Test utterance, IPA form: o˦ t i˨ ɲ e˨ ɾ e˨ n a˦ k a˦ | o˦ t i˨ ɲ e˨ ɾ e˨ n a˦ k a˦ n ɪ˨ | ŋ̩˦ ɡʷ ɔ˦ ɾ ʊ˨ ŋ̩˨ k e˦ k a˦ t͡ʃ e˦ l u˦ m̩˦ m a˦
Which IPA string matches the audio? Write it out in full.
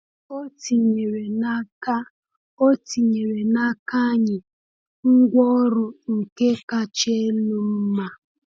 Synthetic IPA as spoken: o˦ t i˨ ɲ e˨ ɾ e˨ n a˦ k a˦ | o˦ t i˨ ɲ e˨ ɾ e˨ n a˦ k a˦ ɲ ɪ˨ | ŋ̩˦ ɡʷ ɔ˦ ɾ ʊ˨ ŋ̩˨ k e˦ k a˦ t͡ʃ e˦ l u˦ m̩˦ m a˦